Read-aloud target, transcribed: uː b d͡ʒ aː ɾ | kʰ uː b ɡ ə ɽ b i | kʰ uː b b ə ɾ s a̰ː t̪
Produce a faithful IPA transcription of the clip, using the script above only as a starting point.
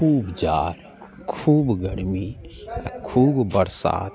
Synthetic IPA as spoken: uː b d͡ʒ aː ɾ | kʰ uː b ɡ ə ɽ m i | kʰ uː b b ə ɾ s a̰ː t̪